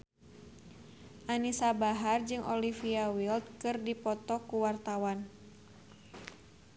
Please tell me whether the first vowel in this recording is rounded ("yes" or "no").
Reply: no